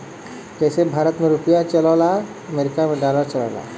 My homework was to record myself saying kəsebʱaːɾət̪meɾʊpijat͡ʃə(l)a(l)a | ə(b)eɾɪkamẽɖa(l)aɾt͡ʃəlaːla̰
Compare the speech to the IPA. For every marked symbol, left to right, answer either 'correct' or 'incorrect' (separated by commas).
correct, correct, incorrect, correct